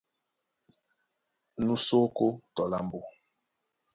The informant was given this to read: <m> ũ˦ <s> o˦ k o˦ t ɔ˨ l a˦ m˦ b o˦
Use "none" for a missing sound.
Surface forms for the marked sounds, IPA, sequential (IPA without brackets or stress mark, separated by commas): n, s